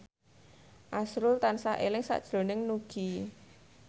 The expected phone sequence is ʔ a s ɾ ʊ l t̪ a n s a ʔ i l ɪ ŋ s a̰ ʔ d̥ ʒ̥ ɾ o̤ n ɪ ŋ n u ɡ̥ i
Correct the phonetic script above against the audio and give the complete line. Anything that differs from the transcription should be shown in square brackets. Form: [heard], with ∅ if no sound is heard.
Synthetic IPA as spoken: ʔ a s ɾ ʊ l t̪ a n s a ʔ [e] l ɪ ŋ s a̰ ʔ d̥ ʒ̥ ɾ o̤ n ɪ ŋ n u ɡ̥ i